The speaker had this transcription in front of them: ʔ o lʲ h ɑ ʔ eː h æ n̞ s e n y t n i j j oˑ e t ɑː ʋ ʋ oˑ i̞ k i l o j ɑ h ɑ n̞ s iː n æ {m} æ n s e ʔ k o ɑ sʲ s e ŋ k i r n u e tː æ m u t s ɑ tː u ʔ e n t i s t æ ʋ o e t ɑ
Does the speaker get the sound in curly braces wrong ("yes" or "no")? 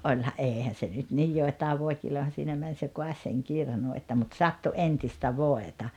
no